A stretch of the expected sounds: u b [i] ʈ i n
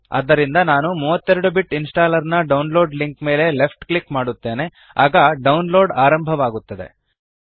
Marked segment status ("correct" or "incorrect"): correct